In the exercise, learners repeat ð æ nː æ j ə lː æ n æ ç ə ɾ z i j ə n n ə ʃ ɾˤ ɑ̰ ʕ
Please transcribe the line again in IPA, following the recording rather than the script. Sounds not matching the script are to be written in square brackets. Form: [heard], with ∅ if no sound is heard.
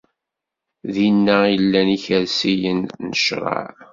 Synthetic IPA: ð [i] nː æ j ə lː æ n [i] ç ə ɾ [s] i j ə n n ə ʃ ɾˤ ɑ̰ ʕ